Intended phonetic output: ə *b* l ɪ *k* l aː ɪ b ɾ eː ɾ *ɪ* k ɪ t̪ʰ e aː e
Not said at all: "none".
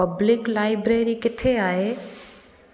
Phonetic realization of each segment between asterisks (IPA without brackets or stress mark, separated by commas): b, k, i